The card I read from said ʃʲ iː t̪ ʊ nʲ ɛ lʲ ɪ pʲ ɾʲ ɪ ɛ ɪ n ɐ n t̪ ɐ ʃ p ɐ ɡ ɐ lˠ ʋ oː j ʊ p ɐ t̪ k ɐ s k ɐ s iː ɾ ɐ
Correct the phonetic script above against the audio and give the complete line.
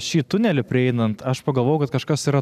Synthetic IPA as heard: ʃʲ iː t̪ ʊ nʲ ɛ lʲ ɪ pʲ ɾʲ ɪ ɛ ɪ n ɐ n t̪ ɐ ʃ p ɐ ɡ ɐ lˠ ʋ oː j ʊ k ɐ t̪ k ɐ ʃ k ɐ s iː ɾ ɐ

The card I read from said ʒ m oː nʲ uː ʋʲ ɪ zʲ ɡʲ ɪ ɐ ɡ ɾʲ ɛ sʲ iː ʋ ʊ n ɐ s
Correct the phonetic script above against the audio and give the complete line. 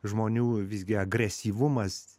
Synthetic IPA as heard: ʒ m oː nʲ uː ʋʲ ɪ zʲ ɡʲ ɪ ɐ ɡ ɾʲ ɛ sʲ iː ʋ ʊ m ɐ s

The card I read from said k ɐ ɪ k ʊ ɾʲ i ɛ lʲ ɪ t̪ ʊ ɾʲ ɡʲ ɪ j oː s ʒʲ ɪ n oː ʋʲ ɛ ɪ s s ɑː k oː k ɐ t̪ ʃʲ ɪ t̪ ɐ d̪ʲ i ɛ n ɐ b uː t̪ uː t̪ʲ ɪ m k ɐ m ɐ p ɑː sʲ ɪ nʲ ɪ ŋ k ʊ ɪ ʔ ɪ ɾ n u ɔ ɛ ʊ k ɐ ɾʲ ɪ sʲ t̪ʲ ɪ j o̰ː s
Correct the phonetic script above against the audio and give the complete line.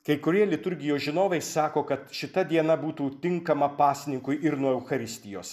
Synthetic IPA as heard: k ɐ ɪ k ʊ ɾʲ i ɛ lʲ ɪ t̪ ʊ ɾʲ ɡʲ ɪ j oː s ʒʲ ɪ n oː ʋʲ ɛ ɪ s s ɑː k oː k ɐ t̪ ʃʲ ɪ t̪ ɐ d̪ʲ i ɛ n ɐ b uː t̪ uː t̪ʲ ɪ ŋ k ɐ m ɐ p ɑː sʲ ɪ nʲ ɪ ŋ k ʊ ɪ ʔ ɪ ɾ n u ɔ ɛ ʊ x ɐ ɾʲ ɪ sʲ t̪ʲ ɪ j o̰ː s

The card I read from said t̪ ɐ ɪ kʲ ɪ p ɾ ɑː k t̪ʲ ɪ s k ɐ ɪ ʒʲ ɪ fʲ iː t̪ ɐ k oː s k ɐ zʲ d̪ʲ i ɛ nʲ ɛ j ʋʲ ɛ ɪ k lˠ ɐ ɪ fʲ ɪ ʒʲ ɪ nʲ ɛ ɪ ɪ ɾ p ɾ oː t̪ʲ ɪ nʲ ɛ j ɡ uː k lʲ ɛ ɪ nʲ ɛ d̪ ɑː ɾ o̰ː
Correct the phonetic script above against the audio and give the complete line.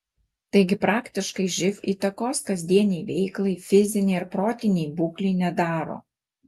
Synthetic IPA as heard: t̪ ɐ ɪ ɡʲ ɪ p ɾ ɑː k t̪ʲ ɪ ʃ k ɐ ɪ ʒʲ ɪ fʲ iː t̪ ɐ k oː s k ɐ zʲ d̪ʲ i ɛ nʲ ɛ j ʋʲ ɛ ɪ k lˠ ɐ ɪ fʲ ɪ zʲ ɪ nʲ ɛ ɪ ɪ ɾ p ɾ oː t̪ʲ ɪ nʲ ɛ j b uː k lʲ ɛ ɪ nʲ ɛ d̪ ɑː ɾ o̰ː

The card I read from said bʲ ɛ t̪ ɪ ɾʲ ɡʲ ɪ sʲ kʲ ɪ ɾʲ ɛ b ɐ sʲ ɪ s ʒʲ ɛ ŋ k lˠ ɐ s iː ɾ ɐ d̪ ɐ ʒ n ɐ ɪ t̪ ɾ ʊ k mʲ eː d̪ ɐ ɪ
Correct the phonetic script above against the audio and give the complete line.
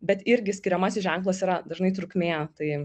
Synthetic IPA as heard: bʲ ɛ t̪ ɪ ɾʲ ɡʲ ɪ sʲ kʲ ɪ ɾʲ ɛ m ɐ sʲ ɪ s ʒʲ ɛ ŋ k lˠ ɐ s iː ɾ ɐ d̪ ɐ ʒ n ɐ ɪ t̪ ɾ ʊ k mʲ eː t̪ ɐ ɪ

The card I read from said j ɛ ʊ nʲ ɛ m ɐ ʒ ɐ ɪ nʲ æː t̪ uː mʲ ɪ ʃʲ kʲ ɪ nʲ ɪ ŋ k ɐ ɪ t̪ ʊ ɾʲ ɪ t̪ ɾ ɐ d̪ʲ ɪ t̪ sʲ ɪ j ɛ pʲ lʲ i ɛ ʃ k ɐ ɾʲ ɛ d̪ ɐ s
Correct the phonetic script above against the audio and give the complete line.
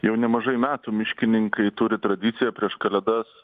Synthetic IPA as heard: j ɛ ʊ nʲ ɛ m ɐ ʒ ɐ ɪ mʲ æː t̪ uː mʲ ɪ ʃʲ kʲ ɪ nʲ ɪ ŋ k ɐ ɪ t̪ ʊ ɾʲ ɪ t̪ ɾ ɐ d̪ʲ ɪ t̪ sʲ ɪ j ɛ pʲ ɾʲ i ɛ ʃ k ɐ lʲ ɛ d̪ ɐ s

